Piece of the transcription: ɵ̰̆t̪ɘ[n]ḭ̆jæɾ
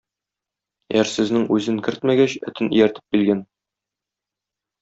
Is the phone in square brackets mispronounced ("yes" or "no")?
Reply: no